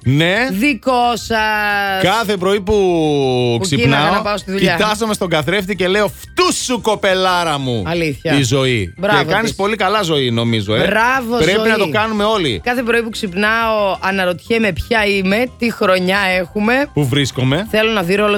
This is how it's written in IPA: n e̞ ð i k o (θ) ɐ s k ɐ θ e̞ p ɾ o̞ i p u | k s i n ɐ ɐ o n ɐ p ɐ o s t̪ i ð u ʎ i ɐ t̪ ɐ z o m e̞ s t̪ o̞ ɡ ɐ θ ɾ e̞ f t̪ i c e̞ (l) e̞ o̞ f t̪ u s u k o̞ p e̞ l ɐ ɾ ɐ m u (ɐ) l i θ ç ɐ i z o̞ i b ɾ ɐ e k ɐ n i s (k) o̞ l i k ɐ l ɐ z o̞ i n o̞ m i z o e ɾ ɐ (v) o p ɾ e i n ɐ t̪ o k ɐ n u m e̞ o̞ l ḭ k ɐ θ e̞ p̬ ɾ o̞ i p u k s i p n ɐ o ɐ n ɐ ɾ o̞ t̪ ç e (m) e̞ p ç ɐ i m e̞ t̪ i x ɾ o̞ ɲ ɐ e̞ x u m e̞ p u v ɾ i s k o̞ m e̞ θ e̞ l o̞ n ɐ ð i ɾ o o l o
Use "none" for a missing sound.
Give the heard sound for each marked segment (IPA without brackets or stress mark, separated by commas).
s, l, ɐ, p, v, m